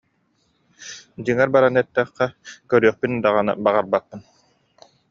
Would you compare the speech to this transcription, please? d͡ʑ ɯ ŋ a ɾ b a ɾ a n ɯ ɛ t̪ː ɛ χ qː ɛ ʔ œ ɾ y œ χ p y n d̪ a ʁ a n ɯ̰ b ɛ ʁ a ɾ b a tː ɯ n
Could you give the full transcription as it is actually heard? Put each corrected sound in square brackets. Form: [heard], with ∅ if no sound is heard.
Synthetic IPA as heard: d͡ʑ ɯ ŋ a ɾ b a ɾ a n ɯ ɛ t̪ː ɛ χ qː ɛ [k] œ ɾ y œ χ p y n d̪ a ʁ a n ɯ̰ b [a] ʁ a ɾ b a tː ɯ n